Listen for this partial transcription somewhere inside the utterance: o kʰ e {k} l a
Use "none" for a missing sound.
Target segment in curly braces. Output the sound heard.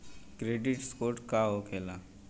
none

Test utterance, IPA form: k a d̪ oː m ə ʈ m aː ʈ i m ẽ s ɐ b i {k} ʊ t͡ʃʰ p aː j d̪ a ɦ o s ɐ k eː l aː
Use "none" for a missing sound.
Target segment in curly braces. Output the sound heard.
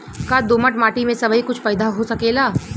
k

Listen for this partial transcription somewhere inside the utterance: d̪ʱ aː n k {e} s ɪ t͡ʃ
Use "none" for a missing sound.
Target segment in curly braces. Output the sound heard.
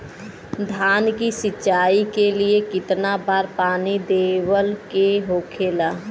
i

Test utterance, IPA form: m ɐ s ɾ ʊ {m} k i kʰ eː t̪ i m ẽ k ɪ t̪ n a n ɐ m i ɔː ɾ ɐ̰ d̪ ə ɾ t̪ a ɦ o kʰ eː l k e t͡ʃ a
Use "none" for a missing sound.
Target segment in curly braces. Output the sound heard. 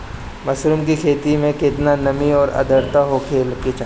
m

